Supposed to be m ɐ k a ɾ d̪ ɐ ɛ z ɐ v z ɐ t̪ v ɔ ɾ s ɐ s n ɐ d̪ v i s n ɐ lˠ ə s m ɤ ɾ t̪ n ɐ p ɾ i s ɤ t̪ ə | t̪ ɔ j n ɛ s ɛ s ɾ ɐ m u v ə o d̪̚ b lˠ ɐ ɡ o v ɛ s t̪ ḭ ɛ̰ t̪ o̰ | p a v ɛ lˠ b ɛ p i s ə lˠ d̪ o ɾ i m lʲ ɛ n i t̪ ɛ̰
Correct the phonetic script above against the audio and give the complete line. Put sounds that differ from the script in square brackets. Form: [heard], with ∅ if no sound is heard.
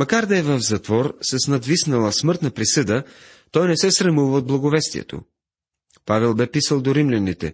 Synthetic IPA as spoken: m ɐ k a ɾ d̪ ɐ ɛ [v] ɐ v z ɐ t̪ v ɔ ɾ s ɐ s n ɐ d̪ v i s n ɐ lˠ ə s m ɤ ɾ t̪ n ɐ p ɾ i s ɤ [d̪] ə | t̪ ɔ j n ɛ s ɛ s ɾ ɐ m u v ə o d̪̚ b lˠ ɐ ɡ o v ɛ s t̪ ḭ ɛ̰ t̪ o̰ | p a v ɛ lˠ b ɛ p i s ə lˠ d̪ o ɾ i m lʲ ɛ n i t̪ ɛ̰